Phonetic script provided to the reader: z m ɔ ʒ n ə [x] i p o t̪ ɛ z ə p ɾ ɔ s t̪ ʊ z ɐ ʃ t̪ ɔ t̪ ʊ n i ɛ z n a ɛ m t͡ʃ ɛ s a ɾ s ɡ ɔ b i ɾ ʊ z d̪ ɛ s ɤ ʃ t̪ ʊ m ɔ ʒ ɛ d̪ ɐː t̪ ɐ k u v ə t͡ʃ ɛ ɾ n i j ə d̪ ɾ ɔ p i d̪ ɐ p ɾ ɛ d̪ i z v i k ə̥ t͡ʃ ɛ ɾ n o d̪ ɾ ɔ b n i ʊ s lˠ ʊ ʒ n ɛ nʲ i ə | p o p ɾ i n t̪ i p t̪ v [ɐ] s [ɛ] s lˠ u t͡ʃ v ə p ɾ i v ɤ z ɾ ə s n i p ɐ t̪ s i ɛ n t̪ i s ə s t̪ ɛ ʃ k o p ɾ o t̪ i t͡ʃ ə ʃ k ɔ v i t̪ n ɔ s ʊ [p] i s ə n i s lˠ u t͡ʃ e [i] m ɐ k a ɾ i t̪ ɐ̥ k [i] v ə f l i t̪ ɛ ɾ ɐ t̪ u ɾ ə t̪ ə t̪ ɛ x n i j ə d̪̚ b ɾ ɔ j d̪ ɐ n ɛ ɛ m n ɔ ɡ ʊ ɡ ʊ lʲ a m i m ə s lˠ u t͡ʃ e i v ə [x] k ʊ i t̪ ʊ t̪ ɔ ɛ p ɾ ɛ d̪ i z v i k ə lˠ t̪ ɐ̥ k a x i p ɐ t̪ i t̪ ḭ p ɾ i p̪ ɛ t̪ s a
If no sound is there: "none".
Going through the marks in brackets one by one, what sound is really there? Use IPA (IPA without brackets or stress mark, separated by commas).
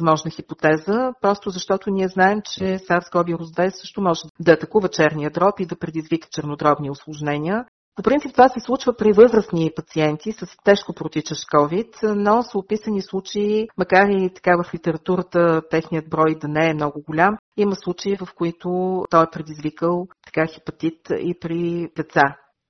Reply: x, a, ɛ, p, i, a, f